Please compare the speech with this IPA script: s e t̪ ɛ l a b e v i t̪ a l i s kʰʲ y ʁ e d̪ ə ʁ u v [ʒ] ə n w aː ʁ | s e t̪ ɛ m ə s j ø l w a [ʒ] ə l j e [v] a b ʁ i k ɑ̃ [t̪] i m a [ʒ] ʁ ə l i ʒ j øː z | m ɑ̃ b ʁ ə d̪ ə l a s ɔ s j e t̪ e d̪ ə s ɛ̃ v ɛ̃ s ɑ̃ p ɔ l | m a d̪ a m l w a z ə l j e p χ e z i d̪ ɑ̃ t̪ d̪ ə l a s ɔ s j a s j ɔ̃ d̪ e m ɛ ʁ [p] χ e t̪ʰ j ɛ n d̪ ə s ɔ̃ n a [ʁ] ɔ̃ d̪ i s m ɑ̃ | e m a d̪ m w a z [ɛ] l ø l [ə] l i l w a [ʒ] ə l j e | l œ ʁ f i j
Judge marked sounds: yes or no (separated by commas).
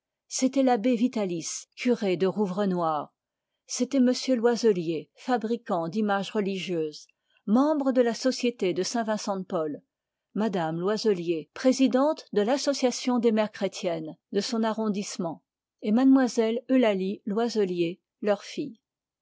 no, no, no, no, yes, no, yes, yes, no, no